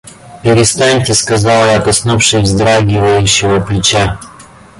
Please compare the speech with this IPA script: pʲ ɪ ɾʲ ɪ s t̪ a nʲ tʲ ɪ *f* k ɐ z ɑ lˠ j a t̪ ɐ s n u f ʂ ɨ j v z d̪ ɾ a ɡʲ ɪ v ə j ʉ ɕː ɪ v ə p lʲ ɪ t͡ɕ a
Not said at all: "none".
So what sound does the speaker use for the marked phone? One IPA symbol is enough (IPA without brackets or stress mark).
s